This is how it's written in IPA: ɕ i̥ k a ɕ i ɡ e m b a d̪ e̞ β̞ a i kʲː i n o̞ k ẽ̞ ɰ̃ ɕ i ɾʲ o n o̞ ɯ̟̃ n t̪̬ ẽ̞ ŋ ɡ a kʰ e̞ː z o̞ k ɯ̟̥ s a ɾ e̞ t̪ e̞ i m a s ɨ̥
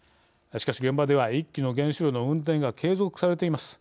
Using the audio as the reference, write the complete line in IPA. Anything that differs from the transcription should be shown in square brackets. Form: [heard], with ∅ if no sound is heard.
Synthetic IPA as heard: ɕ i̥ k a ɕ i ɡ e m b a d̪ e̞ β̞ a i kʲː i n o̞ [ɡ] ẽ̞ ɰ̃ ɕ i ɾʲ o n o̞ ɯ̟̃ n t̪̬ ẽ̞ ŋ ɡ a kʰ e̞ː z o̞ k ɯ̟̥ s a ɾ e̞ t̪ e̞ i m a s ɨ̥